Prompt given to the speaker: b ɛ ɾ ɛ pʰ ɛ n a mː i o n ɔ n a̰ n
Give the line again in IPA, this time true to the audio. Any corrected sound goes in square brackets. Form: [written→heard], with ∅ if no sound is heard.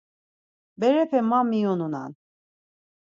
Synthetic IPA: b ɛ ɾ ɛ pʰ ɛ [n→m] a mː i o n [ɔ→u] n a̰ n